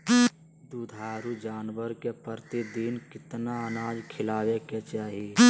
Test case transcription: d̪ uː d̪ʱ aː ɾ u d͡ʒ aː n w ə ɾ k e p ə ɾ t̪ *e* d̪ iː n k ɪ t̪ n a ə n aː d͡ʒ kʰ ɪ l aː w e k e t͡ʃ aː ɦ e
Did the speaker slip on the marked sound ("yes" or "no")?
yes